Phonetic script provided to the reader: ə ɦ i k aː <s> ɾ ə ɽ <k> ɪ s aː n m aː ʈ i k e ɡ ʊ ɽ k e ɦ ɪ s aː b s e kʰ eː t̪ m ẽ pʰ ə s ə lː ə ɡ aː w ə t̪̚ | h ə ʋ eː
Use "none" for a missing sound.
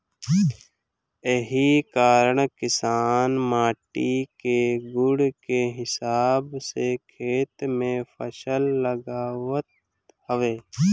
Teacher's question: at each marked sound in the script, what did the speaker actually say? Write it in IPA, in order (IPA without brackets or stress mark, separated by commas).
none, k